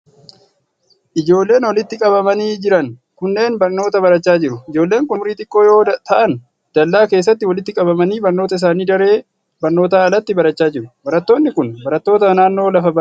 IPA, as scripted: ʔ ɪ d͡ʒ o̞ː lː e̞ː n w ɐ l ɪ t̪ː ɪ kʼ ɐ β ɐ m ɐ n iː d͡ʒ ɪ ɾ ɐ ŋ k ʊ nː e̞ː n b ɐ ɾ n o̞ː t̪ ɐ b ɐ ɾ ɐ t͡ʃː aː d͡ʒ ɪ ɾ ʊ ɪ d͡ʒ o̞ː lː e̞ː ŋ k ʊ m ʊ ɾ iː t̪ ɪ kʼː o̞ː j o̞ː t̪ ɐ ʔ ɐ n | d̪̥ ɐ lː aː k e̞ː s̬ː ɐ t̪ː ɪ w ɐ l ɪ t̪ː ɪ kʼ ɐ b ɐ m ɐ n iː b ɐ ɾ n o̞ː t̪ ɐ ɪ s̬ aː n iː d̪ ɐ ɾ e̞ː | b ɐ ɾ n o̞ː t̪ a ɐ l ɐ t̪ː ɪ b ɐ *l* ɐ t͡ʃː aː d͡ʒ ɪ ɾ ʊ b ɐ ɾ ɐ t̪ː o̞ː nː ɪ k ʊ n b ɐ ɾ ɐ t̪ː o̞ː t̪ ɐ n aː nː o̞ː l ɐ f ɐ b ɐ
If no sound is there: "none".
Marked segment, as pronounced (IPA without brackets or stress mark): ɾ